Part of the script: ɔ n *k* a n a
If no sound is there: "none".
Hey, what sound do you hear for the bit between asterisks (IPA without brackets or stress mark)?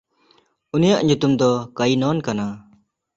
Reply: k